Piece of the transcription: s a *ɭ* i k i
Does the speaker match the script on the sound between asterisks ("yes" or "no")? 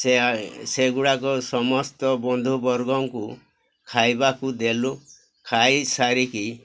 no